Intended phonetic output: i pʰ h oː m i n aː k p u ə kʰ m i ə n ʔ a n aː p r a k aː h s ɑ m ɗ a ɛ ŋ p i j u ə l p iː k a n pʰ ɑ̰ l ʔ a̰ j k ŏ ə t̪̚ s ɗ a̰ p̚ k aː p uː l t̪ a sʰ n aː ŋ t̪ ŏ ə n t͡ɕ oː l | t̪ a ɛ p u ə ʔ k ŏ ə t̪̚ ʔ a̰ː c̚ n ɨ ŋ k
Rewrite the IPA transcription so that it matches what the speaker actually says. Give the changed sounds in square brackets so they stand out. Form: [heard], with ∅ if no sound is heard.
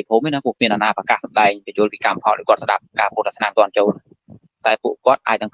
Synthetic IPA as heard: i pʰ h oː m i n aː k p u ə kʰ m i ə n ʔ a n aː p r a k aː h s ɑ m ɗ a ɛ ŋ p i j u ə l p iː k a [m] pʰ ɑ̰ l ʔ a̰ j k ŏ ə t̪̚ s ɗ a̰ p̚ k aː p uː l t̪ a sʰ n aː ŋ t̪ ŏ ə n t͡ɕ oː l | t̪ a ɛ p u ə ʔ k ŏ ə t̪̚ ʔ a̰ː c̚ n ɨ ŋ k